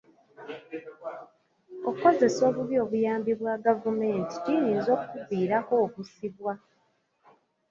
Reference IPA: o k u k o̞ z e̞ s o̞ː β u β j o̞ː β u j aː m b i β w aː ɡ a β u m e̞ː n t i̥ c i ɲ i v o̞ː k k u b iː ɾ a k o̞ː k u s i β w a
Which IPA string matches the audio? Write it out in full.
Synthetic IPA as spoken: o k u k o̞ z e̞ s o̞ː β u β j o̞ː β u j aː m b i β w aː ɡ a v u m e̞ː n t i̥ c i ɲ i z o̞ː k k u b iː ɾ a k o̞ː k u s i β w a